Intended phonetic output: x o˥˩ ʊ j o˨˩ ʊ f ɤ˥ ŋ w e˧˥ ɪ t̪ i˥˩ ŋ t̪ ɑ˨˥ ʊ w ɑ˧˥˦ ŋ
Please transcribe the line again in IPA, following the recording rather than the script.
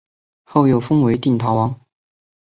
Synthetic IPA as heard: x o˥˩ ʊ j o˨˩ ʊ f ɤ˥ ŋ w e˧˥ ɪ t̪ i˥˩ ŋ t̪ʰ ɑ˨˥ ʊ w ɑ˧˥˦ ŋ

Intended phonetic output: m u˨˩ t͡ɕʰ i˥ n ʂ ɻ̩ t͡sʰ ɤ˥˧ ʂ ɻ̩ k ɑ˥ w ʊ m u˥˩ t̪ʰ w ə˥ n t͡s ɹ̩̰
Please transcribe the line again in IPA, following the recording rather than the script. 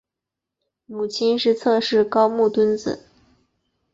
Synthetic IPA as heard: m u˨˩ t͡ɕʰ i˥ n ʂ ɻ̩ t͡sʰ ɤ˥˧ ʂ ɻ̩ k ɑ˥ ʊ m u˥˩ t̪ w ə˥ n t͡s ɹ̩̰

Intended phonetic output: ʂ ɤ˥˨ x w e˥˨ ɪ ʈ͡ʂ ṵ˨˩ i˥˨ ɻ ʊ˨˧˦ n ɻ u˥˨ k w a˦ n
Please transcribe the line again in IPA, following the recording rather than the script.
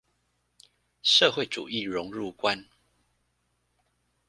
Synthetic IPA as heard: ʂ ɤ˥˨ x w e˥˨ ɪ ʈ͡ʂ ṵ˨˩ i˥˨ ɻ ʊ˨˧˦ ŋ ɻ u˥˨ k w a˦ n

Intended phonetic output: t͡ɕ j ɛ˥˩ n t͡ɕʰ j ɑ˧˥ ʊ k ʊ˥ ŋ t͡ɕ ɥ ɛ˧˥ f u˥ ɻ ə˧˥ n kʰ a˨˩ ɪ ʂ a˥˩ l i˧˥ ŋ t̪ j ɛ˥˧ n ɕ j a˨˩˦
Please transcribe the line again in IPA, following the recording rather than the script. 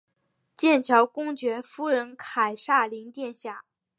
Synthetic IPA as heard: t͡ɕ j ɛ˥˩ n t͡ɕʰ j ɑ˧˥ ʊ k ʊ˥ ŋ t͡ɕ ɥ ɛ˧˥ f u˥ ɻ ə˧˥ n kʰ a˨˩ ɪ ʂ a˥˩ l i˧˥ ŋ t̪ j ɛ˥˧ n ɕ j a˥˩

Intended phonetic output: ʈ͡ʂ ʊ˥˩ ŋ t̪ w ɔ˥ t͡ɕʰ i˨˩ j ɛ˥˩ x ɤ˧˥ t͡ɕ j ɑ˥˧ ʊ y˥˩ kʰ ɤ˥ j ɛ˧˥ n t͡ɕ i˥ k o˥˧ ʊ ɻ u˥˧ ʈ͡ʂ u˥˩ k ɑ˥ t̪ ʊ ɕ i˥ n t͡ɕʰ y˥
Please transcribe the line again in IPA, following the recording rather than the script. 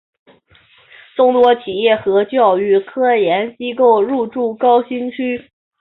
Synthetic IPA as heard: ʈ͡ʂ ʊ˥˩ ŋ t̪ w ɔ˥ t͡ɕʰ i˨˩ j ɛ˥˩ x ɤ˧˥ t͡ɕ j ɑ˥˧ ʊ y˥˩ kʰ ɤ˥ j ɛ˧˥ n t͡ɕ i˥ k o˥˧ ʊ ɻ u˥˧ ʈ͡ʂ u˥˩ k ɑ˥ ʊ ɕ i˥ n t͡ɕʰ y˥

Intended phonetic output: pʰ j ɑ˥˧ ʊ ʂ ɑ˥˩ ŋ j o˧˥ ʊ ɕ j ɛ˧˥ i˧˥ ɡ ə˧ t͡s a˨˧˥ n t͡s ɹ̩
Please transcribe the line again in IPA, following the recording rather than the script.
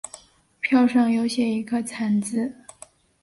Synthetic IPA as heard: pʰ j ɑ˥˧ ʊ ʂ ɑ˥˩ ŋ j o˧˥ ʊ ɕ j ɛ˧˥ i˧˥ ɡ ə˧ t͡sʰ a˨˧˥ n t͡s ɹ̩

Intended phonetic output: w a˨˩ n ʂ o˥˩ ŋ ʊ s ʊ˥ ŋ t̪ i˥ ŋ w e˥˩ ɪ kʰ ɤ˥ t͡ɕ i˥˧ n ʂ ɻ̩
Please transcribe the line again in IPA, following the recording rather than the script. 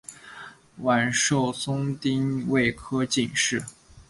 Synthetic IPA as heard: w a˨˩ n ʂ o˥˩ ʊ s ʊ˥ ŋ t̪ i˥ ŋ w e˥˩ ɪ kʰ ɤ˥ t͡ɕ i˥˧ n ʂ ɻ̩

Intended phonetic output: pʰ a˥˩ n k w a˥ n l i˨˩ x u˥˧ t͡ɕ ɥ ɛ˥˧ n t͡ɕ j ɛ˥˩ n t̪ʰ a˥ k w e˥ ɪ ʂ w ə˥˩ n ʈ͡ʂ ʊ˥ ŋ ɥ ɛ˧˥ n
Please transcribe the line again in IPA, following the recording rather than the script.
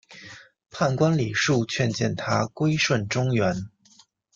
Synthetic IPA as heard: pʰ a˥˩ n k w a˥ n l i˨˩ ʂ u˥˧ t͡ɕʰ ɥ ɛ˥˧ n t͡ɕ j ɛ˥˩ n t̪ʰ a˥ k w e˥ ɪ ʂ w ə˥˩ n ʈ͡ʂ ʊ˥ ŋ ɥ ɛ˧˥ n

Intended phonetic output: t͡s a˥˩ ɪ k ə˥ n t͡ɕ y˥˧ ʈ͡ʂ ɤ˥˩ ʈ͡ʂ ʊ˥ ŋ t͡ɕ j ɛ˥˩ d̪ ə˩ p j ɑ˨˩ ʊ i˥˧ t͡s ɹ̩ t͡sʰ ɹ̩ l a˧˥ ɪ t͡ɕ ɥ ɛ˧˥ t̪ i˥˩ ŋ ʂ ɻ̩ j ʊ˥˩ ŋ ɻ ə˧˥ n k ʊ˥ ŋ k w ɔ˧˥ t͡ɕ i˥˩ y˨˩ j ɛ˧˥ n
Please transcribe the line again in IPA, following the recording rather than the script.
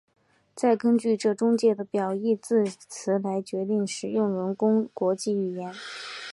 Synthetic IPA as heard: t͡s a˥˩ ɪ k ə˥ n t͡ɕ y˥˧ ʈ͡ʂ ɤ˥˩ ʈ͡ʂ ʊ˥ ŋ t͡ɕ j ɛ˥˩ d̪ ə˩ p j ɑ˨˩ ʊ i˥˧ t͡s ɹ̩ t͡sʰ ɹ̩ l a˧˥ ɪ t͡ɕ ɥ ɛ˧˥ t̪ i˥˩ ŋ ʂ ɻ̩ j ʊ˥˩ ŋ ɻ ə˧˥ n k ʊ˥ ŋ k w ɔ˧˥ t͡ɕ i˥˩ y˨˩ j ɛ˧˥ n

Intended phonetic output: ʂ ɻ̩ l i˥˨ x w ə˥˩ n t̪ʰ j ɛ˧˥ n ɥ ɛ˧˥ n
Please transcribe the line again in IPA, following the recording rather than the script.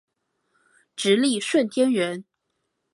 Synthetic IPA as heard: ʈ͡ʂ ɻ̩ l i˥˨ ʂ w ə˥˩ n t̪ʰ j ɛ˥ n ɥ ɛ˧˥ n

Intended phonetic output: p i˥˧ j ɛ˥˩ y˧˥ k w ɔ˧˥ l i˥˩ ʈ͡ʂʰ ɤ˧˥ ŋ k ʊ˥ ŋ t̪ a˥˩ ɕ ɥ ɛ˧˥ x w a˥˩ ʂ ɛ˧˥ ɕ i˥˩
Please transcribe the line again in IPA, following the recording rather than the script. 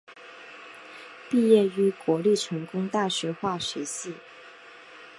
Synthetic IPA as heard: p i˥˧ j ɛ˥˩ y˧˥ k w ɔ˧˥ l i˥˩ ʈ͡ʂʰ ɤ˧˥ ŋ k ʊ˥ ŋ t̪ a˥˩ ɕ ɥ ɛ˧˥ x w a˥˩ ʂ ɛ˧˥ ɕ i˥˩

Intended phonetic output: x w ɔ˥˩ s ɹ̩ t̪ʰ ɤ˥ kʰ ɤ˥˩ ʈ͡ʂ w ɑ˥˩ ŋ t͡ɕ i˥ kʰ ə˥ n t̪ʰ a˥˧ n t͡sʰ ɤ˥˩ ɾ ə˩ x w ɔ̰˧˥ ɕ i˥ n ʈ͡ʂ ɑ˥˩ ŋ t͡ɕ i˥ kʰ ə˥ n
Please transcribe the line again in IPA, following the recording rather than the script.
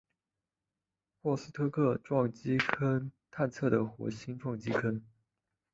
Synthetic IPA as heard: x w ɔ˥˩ s ɹ̩ t̪ʰ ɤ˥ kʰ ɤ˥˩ ʈ͡ʂ w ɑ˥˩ ŋ t͡ɕ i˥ kʰ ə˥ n t̪ʰ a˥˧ n t͡sʰ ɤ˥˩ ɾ ə˩ x w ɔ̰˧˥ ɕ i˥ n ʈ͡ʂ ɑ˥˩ ŋ t͡ɕ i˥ kʰ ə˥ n

